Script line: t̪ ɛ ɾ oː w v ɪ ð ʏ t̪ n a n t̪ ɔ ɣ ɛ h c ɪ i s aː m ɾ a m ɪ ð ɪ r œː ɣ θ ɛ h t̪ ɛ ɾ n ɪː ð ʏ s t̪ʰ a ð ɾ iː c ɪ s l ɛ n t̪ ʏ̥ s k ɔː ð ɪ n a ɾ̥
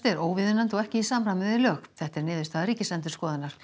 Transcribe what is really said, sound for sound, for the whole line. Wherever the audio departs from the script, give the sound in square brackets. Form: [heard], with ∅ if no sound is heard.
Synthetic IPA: t̪ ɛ ɾ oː w v ɪ ð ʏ [∅] n a n t̪ ɔ ɣ ɛ h c ɪ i s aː m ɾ a m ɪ ð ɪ [l] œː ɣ θ ɛ h t̪ ɛ ɾ n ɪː ð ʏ s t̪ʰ a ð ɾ iː c ɪ s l ɛ n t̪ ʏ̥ s k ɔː ð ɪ n a ɾ̥